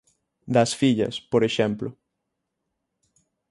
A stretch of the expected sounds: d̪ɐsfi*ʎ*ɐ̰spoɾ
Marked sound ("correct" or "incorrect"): correct